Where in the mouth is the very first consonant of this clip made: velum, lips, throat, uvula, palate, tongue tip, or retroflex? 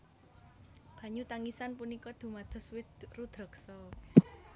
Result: lips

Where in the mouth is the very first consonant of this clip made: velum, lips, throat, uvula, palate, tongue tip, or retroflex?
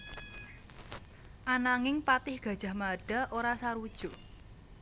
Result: throat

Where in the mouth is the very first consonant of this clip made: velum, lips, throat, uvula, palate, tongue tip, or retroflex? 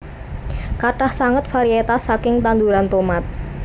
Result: velum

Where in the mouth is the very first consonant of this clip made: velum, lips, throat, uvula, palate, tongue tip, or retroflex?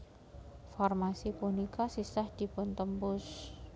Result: lips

